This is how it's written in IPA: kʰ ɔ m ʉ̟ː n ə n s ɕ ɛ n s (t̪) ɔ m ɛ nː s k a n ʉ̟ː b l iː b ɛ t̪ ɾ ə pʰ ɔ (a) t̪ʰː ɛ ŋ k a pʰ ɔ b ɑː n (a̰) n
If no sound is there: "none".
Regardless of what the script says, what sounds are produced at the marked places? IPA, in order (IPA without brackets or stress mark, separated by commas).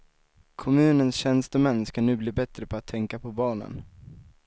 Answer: t̪, a, ə̰